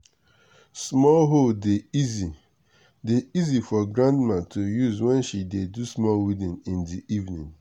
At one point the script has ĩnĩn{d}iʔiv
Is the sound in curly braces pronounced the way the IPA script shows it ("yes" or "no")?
yes